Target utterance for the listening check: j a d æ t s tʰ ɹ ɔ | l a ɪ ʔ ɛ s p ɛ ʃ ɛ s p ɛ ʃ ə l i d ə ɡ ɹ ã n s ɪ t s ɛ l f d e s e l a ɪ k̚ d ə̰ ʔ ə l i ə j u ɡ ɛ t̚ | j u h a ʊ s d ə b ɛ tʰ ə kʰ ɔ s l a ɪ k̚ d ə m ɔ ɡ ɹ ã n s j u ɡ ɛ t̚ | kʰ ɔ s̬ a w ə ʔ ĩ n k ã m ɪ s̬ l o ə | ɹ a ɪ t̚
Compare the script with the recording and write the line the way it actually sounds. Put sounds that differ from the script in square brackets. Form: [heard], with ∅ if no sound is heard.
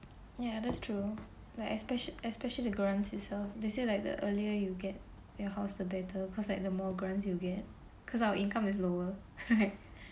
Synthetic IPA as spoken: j a d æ t s tʰ ɹ [u] | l a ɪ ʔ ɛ s p ɛ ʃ ɛ s p ɛ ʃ ə l i d ə ɡ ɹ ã n s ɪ t s ɛ l f d e s e l a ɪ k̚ d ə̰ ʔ ə l i ə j u ɡ ɛ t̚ | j [ɔ] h a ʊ s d ə b ɛ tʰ ə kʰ ɔ s l a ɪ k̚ d ə m ɔ ɡ ɹ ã n s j u ɡ ɛ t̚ | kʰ ɔ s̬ a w ə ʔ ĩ n k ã m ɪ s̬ l o ə | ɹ a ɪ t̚

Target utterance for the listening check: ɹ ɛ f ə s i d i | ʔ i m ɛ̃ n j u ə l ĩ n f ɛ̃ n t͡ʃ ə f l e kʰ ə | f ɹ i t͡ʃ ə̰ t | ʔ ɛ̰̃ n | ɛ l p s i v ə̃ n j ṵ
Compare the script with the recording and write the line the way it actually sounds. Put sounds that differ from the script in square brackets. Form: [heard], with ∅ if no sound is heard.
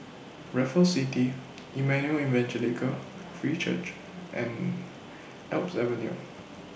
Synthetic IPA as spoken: ɹ ɛ f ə s i [t] i | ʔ i m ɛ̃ n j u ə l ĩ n [v] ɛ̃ n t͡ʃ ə [∅] l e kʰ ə | f ɹ i t͡ʃ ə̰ [t͡ʃ] | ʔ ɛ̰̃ n | ɛ l p s [ɛ] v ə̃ n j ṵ

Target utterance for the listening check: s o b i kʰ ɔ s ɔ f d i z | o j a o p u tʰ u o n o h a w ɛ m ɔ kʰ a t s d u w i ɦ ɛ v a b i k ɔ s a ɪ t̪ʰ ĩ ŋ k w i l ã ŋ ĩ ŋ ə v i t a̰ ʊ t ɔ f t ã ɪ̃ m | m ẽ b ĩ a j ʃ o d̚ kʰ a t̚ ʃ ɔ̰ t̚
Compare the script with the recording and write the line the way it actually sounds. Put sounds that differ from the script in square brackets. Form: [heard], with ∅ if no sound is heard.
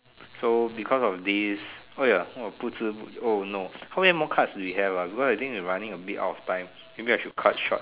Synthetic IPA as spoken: s o b i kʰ ɔ s ɔ f d i [s] | o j a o p u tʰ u o n o h a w ɛ m ɔ kʰ a t s d u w i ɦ ɛ v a b i k ɔ s a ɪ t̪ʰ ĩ ŋ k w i [ɹ] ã [n] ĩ ŋ ə [b] i t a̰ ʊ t ɔ f t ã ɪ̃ m | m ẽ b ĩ a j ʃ [u] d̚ kʰ a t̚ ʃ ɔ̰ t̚

